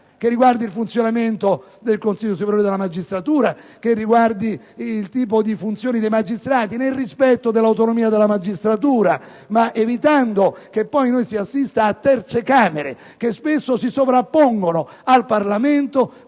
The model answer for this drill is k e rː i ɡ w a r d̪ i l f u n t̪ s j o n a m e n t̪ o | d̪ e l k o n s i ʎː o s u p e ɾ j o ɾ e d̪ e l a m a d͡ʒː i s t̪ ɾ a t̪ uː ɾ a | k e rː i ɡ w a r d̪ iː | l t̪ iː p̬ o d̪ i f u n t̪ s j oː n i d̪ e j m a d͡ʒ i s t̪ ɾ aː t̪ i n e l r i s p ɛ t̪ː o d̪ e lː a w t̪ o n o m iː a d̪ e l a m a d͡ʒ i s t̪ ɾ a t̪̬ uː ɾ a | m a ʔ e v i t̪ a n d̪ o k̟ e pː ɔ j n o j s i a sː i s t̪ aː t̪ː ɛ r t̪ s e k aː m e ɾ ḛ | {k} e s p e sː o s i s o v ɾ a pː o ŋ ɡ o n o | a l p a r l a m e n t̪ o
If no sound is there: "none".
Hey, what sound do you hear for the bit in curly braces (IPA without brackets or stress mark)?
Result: k